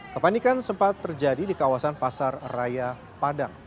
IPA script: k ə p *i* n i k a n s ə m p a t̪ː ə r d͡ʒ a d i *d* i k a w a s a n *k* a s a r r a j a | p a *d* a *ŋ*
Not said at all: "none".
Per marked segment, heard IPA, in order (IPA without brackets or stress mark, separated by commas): a, d, p, d, ŋ